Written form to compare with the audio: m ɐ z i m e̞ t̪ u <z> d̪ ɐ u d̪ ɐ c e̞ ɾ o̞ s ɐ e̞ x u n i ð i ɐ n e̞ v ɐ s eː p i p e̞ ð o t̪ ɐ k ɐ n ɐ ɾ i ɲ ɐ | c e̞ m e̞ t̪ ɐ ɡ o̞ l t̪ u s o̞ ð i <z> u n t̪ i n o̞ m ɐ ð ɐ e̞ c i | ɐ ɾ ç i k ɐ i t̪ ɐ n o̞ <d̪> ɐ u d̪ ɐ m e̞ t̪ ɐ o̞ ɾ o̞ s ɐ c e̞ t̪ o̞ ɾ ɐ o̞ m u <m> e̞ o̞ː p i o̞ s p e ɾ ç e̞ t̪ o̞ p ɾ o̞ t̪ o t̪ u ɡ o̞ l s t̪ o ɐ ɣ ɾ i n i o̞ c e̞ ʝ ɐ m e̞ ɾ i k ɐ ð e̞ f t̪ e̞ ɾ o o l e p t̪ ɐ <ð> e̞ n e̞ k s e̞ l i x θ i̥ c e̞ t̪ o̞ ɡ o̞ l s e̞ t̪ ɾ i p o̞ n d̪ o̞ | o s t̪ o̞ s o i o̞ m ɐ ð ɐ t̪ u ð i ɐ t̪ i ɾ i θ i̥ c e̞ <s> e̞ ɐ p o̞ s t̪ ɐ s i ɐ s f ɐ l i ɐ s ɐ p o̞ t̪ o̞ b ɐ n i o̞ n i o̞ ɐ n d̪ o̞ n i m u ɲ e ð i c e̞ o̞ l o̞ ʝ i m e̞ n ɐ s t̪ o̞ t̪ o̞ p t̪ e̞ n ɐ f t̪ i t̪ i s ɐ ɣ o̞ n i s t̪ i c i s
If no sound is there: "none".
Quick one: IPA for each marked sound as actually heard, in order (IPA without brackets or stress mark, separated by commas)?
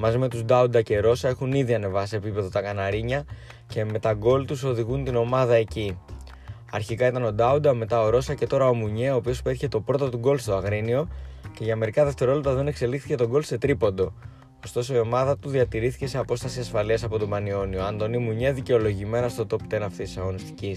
z, ɣ, d̪, ɲ, ð, s